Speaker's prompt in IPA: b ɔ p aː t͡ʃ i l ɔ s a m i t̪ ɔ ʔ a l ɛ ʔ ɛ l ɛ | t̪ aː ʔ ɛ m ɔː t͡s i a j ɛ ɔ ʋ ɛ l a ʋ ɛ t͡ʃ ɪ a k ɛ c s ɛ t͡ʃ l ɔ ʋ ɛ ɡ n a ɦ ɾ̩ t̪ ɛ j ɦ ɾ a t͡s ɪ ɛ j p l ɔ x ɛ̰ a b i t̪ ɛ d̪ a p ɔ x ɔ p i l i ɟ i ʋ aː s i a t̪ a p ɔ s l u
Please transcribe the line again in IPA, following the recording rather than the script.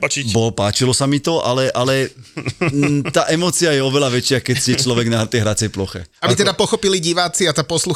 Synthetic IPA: b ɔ p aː t͡ʃ i l ɔ s a m i t̪ ɔ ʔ a l ɛ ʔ a l ɛ | t̪ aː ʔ ɛ m ɔː t͡s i a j ɛ ɔ ʋ ɛ l a ʋ ɛ t͡ʃ ɪ a k ɛ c s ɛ t͡ʃ l ɔ ʋ ɛ ɡ n a ɦ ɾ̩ t̪ ɛ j ɦ ɾ a t͡s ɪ ɛ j p l ɔ x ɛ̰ a b i t̪ ɛ d̪ a p ɔ x ɔ p i l i ɟ i ʋ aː t͡s i a t̪ a p ɔ s l u